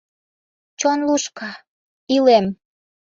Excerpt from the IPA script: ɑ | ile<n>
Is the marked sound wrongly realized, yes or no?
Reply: yes